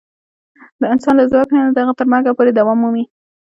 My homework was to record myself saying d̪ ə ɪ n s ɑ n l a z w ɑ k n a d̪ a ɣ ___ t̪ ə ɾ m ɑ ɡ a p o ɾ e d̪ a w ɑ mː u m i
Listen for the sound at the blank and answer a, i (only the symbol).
a